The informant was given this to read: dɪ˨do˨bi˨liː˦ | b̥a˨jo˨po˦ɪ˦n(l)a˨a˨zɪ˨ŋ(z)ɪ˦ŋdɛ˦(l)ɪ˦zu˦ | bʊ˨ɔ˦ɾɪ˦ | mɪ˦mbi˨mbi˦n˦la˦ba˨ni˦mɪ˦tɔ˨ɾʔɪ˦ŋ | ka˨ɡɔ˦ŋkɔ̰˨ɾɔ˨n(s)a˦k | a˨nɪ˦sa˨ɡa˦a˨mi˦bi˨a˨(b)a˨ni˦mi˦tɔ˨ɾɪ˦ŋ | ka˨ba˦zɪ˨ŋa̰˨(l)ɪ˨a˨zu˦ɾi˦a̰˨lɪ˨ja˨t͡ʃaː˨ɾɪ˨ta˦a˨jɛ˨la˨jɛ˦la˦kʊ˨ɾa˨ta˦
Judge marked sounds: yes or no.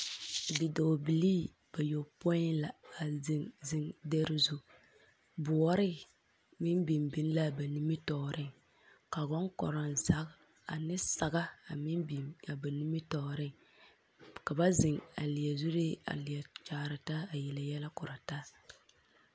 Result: yes, yes, no, no, yes, yes

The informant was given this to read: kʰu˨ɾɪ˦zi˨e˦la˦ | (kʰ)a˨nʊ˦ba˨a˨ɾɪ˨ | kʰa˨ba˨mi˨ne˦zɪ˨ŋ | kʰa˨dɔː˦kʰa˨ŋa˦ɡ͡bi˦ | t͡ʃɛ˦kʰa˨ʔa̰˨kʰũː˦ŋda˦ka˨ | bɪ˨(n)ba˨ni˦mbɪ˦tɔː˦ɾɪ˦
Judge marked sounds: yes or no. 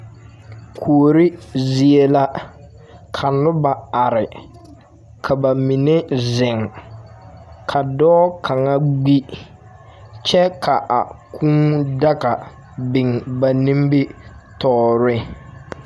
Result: yes, no

